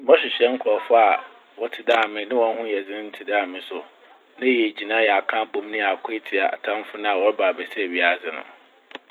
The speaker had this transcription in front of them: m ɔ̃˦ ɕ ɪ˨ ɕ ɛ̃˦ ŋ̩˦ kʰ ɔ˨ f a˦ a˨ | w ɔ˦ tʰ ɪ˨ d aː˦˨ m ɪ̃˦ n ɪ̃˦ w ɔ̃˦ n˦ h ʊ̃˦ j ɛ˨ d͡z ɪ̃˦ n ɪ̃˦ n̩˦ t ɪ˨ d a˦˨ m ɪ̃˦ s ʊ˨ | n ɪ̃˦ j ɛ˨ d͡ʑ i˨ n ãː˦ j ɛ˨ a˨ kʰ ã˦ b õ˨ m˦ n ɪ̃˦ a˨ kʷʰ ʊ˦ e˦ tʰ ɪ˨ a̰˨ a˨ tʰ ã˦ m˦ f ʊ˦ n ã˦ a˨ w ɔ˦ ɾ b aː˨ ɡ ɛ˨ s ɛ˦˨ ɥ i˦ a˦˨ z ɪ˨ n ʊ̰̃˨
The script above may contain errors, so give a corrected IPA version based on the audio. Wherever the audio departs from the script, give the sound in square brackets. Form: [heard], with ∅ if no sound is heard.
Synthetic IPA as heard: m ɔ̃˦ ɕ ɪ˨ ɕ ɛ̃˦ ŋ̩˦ kʰ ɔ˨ f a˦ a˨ | w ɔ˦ tʰ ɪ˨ d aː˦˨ m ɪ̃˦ n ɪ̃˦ w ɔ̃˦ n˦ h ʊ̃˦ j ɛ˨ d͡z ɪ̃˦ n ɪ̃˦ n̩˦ [tʰ] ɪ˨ d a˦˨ m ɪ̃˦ s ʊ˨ | n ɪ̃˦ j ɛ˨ d͡ʑ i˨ n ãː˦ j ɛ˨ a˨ kʰ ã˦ b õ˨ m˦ n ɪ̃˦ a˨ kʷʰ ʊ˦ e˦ tʰ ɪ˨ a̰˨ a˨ tʰ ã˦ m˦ f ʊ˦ n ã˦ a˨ w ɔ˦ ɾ b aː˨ [b] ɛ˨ s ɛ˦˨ ɥ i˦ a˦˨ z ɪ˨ n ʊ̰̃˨